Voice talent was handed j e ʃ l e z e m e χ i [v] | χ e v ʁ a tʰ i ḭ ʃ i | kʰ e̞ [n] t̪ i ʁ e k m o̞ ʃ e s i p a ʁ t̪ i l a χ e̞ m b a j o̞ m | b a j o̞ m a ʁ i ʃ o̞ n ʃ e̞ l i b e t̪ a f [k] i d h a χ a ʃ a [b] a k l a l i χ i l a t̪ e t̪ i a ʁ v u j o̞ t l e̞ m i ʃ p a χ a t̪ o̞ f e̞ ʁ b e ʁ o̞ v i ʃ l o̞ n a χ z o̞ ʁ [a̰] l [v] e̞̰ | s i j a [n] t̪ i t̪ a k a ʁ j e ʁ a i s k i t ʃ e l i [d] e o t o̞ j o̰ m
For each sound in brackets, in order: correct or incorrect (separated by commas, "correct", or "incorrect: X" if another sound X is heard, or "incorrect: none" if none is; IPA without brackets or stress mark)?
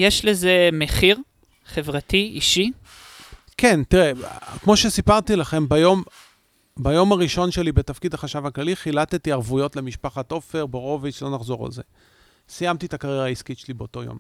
incorrect: ʁ, correct, correct, incorrect: v, correct, incorrect: z, incorrect: m, incorrect: b